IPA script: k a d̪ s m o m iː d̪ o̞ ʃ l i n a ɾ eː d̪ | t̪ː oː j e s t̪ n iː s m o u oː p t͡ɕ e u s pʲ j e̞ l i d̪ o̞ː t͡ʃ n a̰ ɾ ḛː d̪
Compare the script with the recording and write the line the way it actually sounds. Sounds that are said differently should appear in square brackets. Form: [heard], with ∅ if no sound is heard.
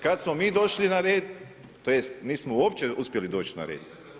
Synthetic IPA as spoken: k a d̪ s m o m iː d̪ o̞ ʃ l i n a ɾ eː d̪ | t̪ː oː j e s t̪ n iː s m o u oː p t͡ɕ e u s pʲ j e̞ l i d̪ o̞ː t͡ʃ n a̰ ɾ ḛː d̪